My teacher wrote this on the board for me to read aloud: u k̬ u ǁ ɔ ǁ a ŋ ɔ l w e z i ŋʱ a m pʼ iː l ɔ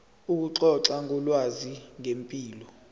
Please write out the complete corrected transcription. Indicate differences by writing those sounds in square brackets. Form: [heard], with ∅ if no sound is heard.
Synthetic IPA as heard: u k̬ u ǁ ɔ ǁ a ŋ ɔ l w [a] z i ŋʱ [e] m pʼ iː l ɔ